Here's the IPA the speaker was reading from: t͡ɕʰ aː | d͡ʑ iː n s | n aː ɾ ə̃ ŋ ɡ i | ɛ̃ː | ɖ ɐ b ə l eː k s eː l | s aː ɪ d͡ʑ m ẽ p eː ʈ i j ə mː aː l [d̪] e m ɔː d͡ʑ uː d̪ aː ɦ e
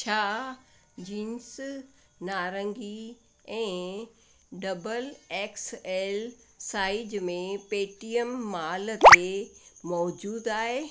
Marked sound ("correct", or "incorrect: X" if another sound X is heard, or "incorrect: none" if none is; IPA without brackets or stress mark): incorrect: t̪